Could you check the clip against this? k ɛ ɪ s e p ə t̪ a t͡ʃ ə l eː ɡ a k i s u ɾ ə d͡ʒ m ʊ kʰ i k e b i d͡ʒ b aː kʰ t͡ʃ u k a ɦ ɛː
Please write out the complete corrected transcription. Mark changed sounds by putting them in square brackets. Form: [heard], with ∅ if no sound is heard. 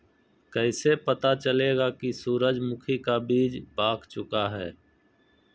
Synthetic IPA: k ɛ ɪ s e p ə t̪ a t͡ʃ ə l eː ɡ a k i s [uː] ɾ ə d͡ʒ m ʊ kʰ i k [a] b [iː] d͡ʒ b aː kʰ t͡ʃ [ʊ] k a ɦ ɛː